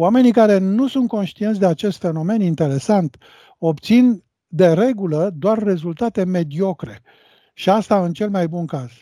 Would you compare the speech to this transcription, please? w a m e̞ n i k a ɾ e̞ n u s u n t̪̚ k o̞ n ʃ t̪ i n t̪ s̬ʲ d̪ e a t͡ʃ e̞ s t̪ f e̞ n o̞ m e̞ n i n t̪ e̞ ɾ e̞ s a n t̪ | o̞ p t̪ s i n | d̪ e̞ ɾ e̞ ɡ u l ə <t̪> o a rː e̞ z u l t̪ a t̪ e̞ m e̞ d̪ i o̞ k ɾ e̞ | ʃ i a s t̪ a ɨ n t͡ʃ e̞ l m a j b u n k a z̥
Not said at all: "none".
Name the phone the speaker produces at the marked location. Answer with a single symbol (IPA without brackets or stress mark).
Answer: d̪